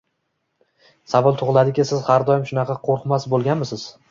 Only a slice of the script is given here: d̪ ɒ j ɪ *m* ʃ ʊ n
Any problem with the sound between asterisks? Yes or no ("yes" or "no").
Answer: no